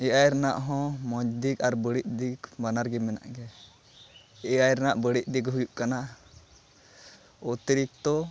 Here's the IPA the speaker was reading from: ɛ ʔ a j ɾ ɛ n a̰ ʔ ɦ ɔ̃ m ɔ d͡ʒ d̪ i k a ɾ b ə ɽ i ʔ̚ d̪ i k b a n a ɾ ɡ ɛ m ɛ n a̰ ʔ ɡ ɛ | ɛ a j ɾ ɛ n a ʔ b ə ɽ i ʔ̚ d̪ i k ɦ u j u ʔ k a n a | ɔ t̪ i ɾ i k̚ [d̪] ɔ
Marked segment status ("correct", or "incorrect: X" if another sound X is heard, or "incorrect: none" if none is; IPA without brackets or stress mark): incorrect: t̪